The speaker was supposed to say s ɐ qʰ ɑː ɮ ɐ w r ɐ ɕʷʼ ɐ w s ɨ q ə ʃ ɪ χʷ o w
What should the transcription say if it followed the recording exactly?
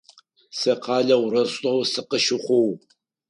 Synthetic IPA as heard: s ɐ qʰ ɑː ɮ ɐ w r ɐ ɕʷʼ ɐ w s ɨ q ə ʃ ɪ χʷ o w